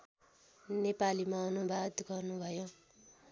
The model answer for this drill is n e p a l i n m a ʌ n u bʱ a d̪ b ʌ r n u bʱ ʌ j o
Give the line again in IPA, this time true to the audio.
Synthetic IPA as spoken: n e p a l i m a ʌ n u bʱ a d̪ ɡ ʌ r n u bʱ ʌ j o